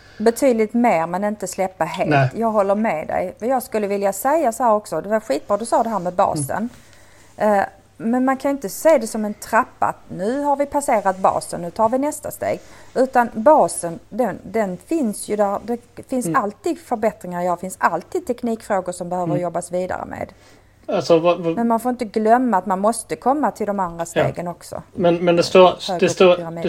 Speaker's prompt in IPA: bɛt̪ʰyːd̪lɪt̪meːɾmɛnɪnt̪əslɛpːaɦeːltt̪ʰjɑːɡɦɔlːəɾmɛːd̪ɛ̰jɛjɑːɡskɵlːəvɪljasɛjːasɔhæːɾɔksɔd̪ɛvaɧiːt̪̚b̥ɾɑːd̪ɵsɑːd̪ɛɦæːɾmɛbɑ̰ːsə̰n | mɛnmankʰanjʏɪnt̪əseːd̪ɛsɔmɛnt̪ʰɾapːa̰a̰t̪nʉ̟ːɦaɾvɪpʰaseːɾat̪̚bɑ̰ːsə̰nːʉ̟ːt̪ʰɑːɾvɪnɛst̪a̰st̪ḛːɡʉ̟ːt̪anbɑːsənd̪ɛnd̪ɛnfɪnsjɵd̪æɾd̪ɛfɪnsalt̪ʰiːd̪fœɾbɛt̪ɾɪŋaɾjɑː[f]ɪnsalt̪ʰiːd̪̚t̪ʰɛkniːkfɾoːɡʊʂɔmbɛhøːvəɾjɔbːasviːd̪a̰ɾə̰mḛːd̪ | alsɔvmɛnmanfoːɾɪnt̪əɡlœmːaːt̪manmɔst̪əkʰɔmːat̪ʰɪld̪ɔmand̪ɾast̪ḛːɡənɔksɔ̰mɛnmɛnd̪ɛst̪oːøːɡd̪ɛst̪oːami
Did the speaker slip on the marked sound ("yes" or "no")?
no